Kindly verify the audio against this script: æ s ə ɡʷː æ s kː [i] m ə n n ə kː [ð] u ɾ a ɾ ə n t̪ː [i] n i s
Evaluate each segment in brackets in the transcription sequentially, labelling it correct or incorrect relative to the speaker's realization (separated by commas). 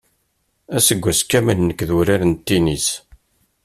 incorrect, correct, correct